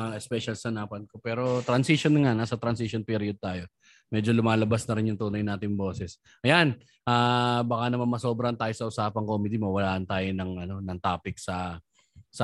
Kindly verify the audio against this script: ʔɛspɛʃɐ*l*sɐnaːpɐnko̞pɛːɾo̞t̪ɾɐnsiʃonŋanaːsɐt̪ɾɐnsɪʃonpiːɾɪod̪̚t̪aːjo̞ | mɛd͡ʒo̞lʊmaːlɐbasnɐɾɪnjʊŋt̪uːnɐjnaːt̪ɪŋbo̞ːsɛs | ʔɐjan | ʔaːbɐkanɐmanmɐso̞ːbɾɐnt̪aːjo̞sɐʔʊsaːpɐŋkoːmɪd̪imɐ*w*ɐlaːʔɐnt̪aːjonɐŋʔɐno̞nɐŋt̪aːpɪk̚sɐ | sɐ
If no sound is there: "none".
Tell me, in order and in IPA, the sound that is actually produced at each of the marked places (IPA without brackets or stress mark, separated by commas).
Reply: l, w